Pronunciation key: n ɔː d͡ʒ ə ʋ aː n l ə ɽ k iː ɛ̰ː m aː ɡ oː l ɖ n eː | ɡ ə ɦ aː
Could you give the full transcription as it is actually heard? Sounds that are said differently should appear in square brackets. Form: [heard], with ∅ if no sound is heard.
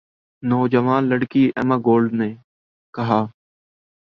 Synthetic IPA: n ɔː d͡ʒ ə ʋ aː n l ə ɽ k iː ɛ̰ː m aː ɡ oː l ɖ n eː | [k] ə ɦ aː